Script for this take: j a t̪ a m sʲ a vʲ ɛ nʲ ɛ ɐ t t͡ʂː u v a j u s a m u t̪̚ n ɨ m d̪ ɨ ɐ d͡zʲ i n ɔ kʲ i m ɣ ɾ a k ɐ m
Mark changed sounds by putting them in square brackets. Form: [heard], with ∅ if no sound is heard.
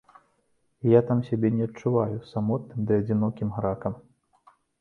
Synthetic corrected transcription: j a t̪ a m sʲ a [bʲ] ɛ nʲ ɛ ɐ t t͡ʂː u v a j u s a m [ɔ] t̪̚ n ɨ m d̪ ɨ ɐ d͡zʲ i n ɔ kʲ i m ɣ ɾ a k ɐ m